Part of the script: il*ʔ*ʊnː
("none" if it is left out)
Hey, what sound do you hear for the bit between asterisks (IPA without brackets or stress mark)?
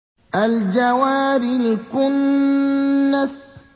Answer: k